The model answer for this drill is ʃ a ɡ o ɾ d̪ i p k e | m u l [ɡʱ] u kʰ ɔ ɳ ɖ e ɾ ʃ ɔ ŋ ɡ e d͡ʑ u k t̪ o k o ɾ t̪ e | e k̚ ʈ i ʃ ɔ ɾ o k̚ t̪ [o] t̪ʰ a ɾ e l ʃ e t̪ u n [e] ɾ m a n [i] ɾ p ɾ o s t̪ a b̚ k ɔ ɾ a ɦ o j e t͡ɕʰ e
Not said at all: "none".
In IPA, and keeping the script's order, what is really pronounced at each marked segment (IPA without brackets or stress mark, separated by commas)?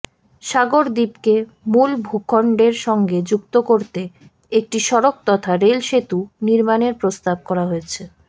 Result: bʱ, ɔ, i, e